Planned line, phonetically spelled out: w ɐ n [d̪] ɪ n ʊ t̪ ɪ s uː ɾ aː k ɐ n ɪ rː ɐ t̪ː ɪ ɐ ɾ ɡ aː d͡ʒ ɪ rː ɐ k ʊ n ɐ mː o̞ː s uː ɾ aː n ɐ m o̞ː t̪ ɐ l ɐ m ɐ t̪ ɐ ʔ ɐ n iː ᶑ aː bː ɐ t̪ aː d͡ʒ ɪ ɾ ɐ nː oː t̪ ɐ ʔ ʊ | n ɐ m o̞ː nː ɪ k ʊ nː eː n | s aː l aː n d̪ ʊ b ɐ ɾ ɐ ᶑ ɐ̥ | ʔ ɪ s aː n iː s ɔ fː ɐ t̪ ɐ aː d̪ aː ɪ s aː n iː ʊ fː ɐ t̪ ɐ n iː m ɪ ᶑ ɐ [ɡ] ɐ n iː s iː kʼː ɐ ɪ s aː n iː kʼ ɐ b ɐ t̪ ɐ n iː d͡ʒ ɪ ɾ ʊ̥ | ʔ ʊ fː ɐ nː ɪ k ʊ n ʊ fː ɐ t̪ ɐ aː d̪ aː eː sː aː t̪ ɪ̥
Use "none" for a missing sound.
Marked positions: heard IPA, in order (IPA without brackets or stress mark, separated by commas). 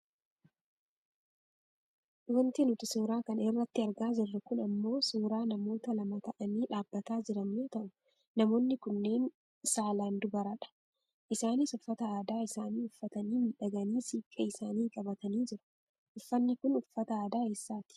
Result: t̪, ɡ